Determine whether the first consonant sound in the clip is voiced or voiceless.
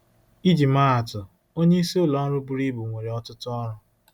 voiced